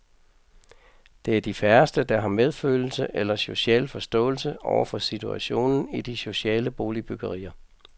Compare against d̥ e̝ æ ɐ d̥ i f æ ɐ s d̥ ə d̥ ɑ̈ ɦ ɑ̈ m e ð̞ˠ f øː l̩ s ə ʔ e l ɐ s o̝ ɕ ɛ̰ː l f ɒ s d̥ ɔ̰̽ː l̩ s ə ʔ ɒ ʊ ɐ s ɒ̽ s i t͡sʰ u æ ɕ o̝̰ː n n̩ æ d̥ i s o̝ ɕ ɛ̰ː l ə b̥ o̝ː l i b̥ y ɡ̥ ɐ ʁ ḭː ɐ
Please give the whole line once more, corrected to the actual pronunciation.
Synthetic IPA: d̥ e̝ æ ɐ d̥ i f æ ɐ s d̥ ə d̥ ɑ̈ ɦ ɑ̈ m e ð̞ˠ f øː l̩ s ə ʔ e l ɐ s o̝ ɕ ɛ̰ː l f ɒ s d̥ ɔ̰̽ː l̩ s ə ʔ ɒ ʊ ɐ f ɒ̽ s i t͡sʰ u æ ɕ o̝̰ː n n̩ i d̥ i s o̝ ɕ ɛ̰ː l ə b̥ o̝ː l i b̥ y ɡ̥ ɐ ʁ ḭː ɐ

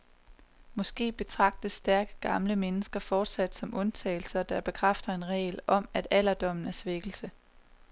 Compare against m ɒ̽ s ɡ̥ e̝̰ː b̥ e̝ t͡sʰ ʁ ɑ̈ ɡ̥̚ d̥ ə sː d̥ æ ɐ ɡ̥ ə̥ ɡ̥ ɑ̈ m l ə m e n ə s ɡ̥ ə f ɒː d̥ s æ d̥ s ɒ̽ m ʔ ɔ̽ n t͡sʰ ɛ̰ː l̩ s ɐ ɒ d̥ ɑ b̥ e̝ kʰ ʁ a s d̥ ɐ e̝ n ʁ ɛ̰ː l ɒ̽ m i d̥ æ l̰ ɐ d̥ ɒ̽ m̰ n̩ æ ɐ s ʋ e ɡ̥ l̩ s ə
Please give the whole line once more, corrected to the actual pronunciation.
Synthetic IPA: m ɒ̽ s ɡ̥ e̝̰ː b̥ e̝ t͡sʰ ʁ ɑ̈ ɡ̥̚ d̥ ə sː d̥ æ ɐ ɡ̥ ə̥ ɡ̥ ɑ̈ m l ə m e n ə s ɡ̥ ɐ f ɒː d̥ s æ d̥ s ɒ̽ m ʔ ɔ̽ n t͡sʰ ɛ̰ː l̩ s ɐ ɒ d̥ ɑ b̥ e̝ kʰ ʁ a f d̥ ɐ e̝ n ʁ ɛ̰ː l ɒ̽ m æ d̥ æ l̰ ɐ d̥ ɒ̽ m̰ n̩ æ ɐ s ʋ e ɡ̥ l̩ s ə

